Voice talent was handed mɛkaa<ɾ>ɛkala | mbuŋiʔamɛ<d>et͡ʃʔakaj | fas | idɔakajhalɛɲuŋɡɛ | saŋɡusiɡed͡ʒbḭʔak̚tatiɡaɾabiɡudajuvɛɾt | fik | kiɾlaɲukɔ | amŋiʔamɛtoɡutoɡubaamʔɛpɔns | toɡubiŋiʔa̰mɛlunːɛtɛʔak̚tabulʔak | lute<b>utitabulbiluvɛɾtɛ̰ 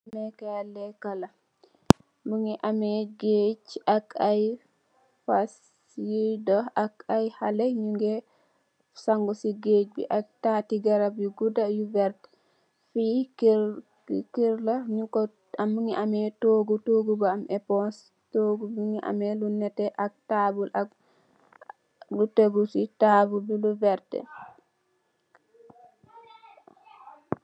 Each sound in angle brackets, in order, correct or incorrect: incorrect: l, incorrect: ɡ, incorrect: ɡ

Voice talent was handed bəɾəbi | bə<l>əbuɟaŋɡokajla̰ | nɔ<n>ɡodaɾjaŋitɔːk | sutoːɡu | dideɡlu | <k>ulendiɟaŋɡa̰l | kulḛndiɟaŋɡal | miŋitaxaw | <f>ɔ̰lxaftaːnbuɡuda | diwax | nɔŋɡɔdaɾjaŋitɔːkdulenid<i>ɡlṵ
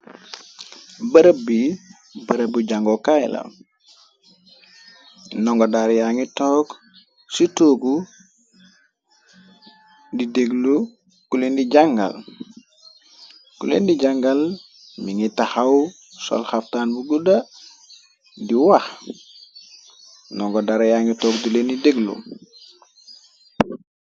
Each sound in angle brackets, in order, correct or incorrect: incorrect: ɾ, incorrect: ŋ, correct, incorrect: s, incorrect: e

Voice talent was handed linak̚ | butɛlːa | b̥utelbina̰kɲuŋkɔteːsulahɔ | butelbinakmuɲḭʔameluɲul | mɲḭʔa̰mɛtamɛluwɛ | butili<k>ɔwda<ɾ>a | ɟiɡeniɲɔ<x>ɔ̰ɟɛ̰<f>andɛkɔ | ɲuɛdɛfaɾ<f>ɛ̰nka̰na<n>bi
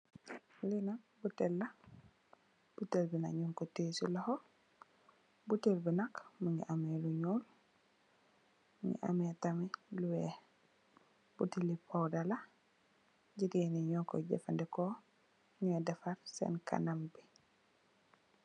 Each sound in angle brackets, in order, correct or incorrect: incorrect: p, incorrect: l, incorrect: k, correct, incorrect: s, incorrect: m

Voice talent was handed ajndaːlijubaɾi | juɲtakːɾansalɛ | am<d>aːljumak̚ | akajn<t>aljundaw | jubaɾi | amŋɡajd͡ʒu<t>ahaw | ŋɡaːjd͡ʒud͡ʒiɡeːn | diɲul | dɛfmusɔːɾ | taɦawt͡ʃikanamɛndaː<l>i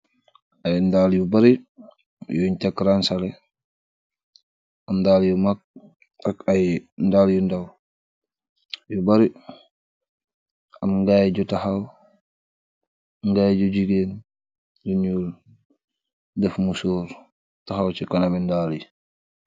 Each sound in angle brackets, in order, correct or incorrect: correct, incorrect: d, correct, correct

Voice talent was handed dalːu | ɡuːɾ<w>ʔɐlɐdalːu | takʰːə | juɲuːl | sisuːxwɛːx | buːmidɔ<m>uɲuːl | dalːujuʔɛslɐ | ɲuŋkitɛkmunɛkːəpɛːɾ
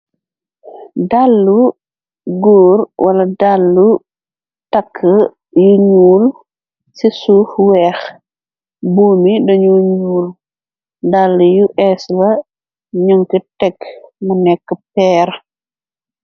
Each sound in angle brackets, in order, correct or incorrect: correct, incorrect: ɲ

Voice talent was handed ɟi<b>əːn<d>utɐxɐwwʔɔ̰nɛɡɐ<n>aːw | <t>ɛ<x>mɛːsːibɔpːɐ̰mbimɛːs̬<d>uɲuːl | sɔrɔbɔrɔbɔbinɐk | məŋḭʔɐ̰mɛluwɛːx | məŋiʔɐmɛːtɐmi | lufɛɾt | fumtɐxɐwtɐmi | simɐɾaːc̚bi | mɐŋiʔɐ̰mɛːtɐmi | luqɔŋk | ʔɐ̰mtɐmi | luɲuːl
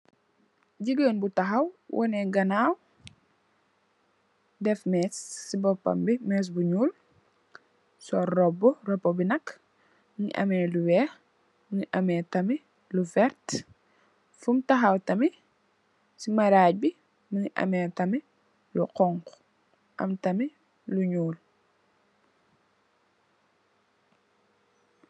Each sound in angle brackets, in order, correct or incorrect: incorrect: ɡ, incorrect: b, correct, incorrect: d, incorrect: f, incorrect: b

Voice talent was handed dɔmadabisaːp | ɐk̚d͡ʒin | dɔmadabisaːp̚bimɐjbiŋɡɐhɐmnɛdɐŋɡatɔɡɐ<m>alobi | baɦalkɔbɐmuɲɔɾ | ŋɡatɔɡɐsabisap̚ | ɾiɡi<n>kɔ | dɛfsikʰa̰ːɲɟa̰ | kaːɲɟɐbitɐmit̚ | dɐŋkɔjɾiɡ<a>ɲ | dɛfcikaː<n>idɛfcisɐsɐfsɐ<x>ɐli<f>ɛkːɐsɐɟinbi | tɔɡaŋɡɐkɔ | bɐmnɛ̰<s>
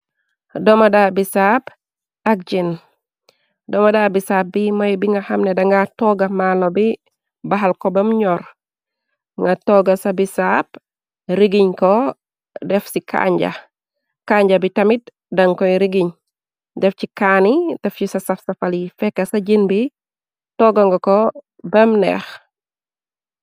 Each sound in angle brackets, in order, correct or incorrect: correct, incorrect: ɲ, incorrect: i, correct, incorrect: f, correct, incorrect: x

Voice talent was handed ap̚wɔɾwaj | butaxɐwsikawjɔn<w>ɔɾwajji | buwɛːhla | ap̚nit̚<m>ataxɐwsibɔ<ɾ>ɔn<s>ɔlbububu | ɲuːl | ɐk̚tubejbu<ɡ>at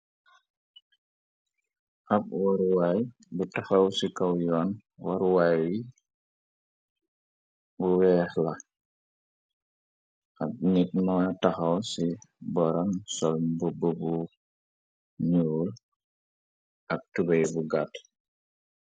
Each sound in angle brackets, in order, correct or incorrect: correct, correct, correct, correct, correct

